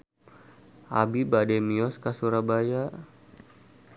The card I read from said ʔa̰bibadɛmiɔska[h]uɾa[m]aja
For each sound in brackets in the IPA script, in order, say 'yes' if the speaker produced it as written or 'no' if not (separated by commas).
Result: no, no